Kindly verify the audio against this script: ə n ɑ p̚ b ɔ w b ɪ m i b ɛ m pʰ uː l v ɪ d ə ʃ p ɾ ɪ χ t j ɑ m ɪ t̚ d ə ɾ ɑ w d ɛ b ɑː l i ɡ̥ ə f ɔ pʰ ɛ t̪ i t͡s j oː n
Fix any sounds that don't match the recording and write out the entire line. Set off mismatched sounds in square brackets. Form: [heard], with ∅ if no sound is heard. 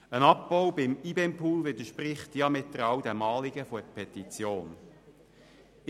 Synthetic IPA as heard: ə n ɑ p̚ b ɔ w b ɪ m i b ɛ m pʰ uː l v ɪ d ə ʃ p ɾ ɪ χ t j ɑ m ɪ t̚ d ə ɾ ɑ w d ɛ [m] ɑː l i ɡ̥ ə f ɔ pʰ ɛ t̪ i t͡s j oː n